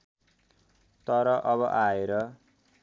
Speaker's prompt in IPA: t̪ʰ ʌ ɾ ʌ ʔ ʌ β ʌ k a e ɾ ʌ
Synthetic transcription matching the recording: t̪ ʌ ɾ ʌ ʔ ʌ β ʌ ʔ a e ɾ ʌ